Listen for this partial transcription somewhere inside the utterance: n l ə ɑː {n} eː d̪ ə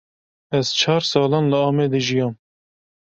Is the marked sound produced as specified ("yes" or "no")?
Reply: no